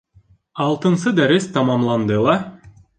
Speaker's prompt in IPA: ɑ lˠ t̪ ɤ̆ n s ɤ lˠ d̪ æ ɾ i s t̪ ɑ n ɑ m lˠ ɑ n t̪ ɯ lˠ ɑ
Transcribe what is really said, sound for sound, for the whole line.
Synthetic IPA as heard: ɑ lˠ t̪ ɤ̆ n s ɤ d̪ æ ɾ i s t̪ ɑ m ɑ m lˠ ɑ n d̪ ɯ lˠ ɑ